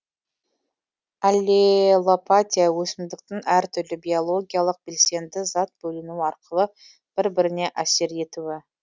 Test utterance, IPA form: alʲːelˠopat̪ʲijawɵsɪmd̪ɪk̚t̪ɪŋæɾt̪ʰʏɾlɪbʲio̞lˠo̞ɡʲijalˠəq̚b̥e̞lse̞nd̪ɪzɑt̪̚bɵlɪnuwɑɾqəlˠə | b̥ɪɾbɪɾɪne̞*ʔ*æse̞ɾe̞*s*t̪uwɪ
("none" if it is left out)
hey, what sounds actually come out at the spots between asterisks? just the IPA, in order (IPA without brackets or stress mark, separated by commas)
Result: ʔ, none